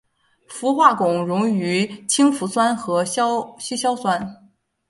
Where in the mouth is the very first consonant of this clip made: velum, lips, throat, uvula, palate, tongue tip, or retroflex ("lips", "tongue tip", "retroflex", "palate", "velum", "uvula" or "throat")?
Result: lips